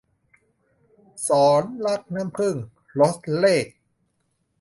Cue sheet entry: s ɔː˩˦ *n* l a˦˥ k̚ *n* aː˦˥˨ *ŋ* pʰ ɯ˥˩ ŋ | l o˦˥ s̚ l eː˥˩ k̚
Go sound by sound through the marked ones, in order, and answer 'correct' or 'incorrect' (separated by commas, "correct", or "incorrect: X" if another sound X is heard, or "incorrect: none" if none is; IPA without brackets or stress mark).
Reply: correct, correct, incorrect: m